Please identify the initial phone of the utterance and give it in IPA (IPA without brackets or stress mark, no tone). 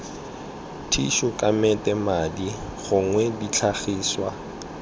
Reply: tʰ